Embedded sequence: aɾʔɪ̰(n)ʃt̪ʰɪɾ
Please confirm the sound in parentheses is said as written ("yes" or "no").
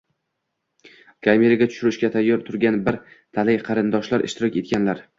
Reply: no